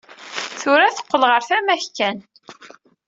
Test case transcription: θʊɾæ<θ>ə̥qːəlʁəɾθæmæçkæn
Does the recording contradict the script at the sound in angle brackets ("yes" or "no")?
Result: no